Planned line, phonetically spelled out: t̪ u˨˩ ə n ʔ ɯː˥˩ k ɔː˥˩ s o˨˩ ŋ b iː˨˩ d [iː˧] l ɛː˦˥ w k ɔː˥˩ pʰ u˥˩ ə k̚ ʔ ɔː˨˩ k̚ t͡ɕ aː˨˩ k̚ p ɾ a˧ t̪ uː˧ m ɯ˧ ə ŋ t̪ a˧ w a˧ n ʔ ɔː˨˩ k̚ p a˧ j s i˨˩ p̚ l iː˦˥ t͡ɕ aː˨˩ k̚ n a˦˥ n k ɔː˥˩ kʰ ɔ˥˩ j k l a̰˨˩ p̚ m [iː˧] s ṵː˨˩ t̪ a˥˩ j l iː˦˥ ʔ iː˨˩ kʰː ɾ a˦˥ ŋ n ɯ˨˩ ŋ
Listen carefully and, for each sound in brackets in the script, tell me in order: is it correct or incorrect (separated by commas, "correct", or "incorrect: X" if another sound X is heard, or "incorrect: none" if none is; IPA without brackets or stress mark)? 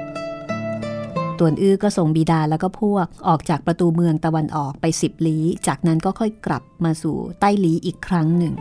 incorrect: aː˧, incorrect: aː˧